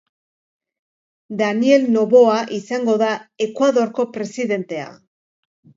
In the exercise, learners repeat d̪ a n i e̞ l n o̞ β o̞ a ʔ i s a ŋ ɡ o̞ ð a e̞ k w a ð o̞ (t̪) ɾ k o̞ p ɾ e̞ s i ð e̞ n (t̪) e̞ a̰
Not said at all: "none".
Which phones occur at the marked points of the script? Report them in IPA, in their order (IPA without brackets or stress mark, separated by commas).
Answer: none, t̪